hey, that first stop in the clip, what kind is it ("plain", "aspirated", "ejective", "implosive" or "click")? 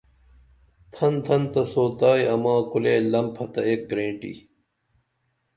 aspirated